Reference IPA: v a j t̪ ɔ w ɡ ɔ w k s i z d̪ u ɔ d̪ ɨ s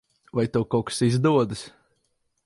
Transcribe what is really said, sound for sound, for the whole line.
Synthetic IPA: v a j t̪ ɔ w k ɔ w k s i z d̪ u ɔ d̪ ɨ s